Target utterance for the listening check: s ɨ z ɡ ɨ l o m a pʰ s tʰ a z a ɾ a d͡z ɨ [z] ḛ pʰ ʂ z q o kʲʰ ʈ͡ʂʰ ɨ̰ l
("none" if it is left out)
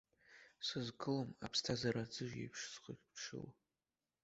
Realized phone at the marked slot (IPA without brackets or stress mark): ʒ